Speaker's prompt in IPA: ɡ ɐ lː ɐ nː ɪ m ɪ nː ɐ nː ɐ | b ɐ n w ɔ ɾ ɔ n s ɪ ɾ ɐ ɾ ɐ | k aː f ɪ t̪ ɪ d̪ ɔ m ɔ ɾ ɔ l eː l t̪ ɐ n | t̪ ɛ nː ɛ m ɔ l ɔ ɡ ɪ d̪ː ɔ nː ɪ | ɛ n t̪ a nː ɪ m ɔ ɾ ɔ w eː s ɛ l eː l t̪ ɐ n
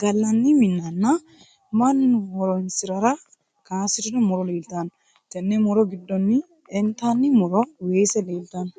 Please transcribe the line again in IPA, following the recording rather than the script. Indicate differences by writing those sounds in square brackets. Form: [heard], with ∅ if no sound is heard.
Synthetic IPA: ɡ ɐ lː ɐ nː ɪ m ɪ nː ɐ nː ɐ | [m] ɐ n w ɔ ɾ ɔ n s ɪ ɾ ɐ ɾ ɐ | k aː [s] ɪ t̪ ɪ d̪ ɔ m ɔ ɾ ɔ l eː l t̪ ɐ n | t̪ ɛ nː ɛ m ɔ [ɾ] ɔ ɡ ɪ d̪ː ɔ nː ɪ | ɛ n t̪ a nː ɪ m ɔ ɾ ɔ w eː s ɛ l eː l t̪ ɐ n